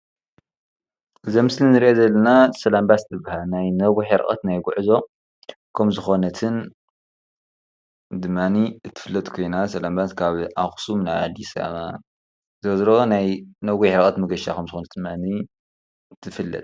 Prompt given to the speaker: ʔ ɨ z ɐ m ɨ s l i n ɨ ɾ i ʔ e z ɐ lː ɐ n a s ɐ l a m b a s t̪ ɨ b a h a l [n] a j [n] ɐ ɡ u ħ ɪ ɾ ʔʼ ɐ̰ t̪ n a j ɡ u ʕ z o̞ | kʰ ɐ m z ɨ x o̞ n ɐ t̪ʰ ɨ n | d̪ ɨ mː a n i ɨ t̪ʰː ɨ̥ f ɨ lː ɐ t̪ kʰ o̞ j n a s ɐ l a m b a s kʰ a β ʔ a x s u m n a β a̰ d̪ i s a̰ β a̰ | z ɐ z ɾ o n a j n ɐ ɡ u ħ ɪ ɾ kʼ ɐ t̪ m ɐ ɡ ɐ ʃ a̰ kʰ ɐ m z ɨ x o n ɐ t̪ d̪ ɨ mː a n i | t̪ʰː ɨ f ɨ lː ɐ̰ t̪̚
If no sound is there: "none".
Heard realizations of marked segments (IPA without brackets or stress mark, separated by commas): n, n